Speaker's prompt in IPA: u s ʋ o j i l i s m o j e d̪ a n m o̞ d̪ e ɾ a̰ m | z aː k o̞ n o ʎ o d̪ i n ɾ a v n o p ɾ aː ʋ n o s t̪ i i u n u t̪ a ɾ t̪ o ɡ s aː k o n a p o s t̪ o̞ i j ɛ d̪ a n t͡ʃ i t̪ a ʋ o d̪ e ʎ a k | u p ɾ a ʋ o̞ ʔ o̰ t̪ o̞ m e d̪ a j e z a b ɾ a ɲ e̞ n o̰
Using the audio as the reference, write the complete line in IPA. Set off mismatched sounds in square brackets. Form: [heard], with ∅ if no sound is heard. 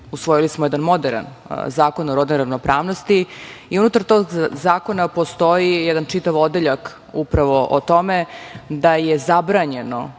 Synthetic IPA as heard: u s ʋ o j i l i s m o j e d̪ a n m o̞ d̪ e ɾ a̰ [n] | z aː k o̞ n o [ɾ] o d̪ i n ɾ a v n o p ɾ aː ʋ n o s t̪ i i u n u t̪ a ɾ t̪ o ɡ [z] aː k o n a p o s t̪ o̞ i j ɛ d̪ a n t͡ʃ i t̪ a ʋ o d̪ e ʎ a k | u p ɾ a ʋ o̞ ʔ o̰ t̪ o̞ m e d̪ a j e z a b ɾ a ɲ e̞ n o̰

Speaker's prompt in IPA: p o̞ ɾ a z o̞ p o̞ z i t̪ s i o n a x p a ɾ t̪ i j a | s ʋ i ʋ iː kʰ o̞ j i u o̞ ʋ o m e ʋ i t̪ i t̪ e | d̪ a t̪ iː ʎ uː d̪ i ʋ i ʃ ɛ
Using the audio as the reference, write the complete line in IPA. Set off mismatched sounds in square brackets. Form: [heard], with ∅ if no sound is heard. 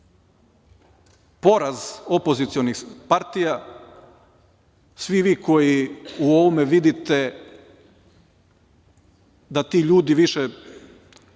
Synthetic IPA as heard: p o̞ ɾ a z o̞ p o̞ z i t̪ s i o n [i] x p a ɾ t̪ i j a | s ʋ i ʋ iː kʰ o̞ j i u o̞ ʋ o m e ʋ i [d̪] i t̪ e | d̪ a t̪ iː ʎ uː d̪ i ʋ i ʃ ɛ

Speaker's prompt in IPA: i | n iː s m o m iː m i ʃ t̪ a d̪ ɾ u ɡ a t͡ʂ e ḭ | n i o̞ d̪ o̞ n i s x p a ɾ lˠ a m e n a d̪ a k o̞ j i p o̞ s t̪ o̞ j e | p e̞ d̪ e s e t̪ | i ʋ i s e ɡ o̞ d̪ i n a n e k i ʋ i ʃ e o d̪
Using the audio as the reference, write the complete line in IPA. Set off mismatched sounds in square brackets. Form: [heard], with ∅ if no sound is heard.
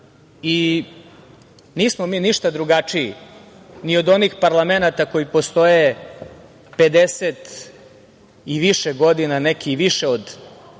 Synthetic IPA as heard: i | n iː s m o m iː [n] i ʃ t̪ a d̪ ɾ u ɡ a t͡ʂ [i] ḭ | n i o̞ d̪ o̞ n i [∅] x p a ɾ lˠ a m e n a [t̪] a k o̞ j i p o̞ s t̪ o̞ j e | p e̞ d̪ e s e t̪ | i ʋ i [ʃ] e ɡ o̞ d̪ i n a n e k i ʋ i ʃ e o d̪

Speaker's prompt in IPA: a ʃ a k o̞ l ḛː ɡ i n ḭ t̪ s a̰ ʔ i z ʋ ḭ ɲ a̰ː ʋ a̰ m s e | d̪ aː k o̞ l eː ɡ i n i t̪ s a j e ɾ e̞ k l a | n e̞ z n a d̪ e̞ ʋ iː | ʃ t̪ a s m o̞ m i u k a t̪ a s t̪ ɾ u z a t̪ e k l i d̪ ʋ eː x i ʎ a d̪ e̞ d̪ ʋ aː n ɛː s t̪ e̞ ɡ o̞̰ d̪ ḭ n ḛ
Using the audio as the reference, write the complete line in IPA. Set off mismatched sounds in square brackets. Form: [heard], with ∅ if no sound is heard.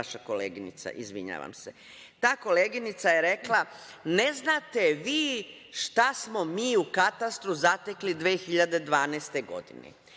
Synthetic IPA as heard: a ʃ a k o̞ l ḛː ɡ i n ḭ t̪ s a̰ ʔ i z ʋ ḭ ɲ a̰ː ʋ a̰ m s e | [t̪] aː k o̞ l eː ɡ i n i t̪ s a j e ɾ e̞ k l a | n e̞ z n a [t̪] e̞ ʋ iː | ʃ t̪ a s m o̞ m [iː] u k a t̪ a s t̪ ɾ u z a t̪ e k l i d̪ ʋ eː x i ʎ a d̪ e̞ d̪ ʋ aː n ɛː s t̪ e̞ ɡ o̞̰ d̪ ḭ n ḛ

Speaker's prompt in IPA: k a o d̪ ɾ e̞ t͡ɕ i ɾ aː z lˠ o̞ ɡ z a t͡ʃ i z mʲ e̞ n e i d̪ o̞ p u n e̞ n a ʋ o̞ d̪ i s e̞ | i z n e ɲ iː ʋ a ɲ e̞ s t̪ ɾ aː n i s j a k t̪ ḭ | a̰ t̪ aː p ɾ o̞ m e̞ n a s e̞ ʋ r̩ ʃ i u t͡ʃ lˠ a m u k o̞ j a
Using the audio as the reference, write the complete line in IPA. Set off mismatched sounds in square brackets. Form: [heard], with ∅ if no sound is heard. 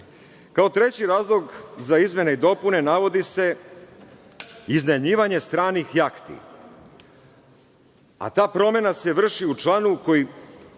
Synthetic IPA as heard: k a o [t̪] ɾ e̞ t͡ɕ i ɾ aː z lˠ o̞ ɡ z a [∅] i z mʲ e̞ n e i d̪ o̞ p u n e̞ n a ʋ o̞ d̪ i s e̞ | i z n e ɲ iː ʋ a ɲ e̞ s t̪ ɾ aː n i [x] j a k t̪ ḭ | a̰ t̪ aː p ɾ o̞ m e̞ n a s e̞ ʋ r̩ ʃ i u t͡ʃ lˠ a [n] u k o̞ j [i]

